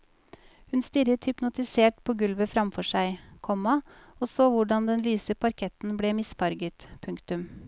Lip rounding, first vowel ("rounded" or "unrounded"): rounded